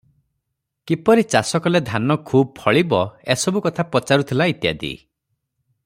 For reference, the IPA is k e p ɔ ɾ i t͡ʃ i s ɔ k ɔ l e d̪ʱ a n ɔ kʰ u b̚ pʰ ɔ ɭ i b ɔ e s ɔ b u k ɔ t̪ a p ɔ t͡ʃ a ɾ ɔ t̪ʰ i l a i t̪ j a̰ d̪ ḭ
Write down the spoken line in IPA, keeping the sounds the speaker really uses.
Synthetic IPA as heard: k i p ɔ ɾ i t͡ʃ a s ɔ k ɔ l e d̪ʱ a n ɔ kʰ u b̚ pʰ ɔ ɭ i b ɔ e s ɔ b u k ɔ t̪ʰ a p ɔ t͡ʃ a ɾ u t̪ʰ i l a i t̪ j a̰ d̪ ḭ